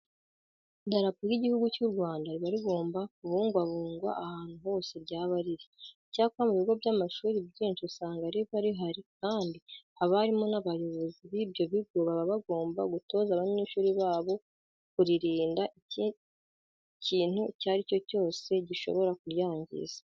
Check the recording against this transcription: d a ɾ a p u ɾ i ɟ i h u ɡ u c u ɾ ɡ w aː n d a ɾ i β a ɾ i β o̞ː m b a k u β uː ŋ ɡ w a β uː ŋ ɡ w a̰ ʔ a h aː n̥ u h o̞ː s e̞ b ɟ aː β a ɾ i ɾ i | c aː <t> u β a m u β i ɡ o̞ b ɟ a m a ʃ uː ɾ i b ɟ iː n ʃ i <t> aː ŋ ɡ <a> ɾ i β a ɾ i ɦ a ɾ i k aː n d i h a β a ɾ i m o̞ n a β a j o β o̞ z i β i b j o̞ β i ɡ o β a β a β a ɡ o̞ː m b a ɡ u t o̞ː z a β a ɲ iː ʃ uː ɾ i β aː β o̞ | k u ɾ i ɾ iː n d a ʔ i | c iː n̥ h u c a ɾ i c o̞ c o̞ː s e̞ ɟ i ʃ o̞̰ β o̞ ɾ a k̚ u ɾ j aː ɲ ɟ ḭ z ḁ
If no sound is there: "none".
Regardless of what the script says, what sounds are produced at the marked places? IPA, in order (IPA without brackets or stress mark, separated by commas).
k, s, a